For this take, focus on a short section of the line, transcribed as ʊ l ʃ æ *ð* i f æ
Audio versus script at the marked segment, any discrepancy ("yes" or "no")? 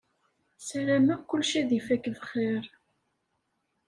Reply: no